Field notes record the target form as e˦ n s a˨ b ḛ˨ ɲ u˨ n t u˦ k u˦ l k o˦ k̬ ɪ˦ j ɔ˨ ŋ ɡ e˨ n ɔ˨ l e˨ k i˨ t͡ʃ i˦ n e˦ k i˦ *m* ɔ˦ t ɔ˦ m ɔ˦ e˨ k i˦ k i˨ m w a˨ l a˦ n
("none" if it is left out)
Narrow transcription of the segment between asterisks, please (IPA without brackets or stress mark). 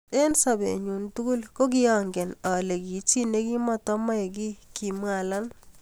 m